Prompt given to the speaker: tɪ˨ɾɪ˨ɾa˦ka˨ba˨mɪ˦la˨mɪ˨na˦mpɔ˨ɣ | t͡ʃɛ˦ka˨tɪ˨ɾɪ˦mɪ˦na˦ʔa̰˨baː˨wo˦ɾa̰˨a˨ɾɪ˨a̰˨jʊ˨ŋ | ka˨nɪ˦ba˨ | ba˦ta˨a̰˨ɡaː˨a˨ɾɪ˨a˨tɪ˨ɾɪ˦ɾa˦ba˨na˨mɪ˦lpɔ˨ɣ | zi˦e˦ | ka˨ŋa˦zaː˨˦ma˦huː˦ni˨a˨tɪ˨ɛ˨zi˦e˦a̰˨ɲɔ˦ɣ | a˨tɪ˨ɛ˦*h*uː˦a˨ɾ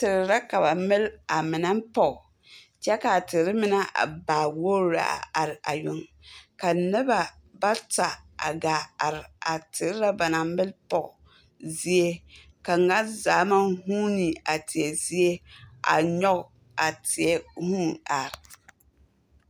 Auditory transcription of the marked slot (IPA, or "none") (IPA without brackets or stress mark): h